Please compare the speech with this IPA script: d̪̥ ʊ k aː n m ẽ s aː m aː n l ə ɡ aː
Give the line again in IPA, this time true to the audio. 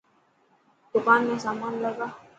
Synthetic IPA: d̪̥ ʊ k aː n m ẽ s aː m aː n l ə ɡ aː